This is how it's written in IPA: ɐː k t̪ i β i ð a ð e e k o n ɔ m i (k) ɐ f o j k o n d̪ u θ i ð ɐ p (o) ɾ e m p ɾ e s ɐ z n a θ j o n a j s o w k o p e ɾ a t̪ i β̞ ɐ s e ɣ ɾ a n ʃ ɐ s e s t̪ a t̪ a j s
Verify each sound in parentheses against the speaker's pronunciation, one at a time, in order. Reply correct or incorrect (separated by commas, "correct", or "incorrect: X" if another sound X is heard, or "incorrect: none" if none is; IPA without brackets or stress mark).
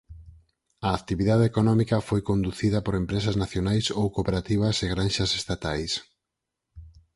correct, correct